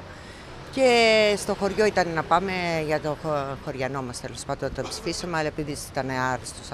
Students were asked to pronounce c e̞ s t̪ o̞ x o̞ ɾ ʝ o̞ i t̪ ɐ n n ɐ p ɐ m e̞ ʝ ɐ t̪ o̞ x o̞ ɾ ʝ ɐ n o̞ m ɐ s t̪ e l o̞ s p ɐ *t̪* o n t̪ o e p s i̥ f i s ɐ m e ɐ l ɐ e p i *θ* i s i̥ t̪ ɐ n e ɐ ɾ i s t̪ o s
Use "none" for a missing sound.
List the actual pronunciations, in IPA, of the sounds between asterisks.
d̪, ð

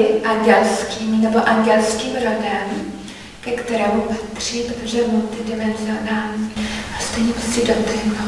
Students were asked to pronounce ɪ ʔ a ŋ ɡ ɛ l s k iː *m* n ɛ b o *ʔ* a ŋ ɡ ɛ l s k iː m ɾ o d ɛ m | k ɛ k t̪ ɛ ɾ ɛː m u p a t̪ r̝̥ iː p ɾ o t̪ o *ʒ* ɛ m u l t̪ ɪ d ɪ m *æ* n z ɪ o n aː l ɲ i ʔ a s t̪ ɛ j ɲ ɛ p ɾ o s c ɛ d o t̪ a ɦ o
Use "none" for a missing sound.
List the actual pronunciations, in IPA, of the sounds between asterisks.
m, ʔ, ʒ, ɛ

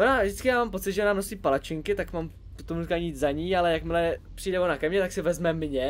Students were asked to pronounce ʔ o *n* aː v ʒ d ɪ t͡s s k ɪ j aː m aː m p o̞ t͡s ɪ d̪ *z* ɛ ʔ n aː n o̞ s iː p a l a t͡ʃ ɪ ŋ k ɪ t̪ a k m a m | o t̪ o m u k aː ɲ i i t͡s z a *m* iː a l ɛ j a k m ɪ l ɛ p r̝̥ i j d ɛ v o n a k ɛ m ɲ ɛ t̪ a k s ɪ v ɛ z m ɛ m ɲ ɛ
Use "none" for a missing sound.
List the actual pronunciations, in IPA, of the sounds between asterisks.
n, ʒ, ɲ

